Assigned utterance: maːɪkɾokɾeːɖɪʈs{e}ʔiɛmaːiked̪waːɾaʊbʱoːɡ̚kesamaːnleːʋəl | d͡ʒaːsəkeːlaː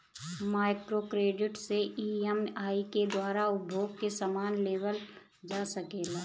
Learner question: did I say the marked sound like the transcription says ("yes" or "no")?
yes